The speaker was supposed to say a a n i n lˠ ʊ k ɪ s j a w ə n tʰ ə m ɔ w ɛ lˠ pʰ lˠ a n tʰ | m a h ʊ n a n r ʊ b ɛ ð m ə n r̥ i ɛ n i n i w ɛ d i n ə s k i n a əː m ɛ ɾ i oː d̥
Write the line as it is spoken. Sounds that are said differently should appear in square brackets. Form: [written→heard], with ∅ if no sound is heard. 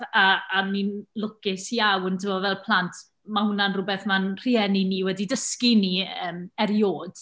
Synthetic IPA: a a n i n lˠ ʊ k ɪ s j a w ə n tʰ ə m ɔ [w→v] ɛ lˠ pʰ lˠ a n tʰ | m a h ʊ n a n r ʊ b ɛ [ð→θ] m [ə→a] n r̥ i ɛ n i n i w ɛ d i [n→d] ə s k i n [a→i] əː m ɛ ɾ [i→j] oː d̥